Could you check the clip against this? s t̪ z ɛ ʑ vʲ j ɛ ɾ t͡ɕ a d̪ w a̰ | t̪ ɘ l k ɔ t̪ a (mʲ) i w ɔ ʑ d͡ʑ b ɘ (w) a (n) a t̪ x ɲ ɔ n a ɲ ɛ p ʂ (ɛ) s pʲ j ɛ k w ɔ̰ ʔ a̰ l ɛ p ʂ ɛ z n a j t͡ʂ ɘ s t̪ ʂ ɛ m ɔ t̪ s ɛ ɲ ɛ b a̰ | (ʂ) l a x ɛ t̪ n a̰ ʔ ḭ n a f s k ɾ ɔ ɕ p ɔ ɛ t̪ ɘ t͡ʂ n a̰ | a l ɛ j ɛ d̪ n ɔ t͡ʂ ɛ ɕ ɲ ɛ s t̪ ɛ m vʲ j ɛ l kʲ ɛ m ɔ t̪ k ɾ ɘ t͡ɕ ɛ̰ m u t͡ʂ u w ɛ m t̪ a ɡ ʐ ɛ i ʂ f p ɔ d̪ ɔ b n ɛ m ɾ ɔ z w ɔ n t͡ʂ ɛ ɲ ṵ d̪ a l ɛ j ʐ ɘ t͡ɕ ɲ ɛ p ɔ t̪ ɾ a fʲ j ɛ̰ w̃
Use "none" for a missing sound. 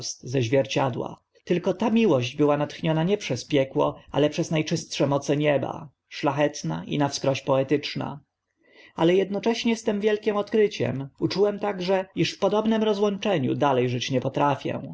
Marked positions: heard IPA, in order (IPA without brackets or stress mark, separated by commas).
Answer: mʲ, w, n, ɛ, ʂ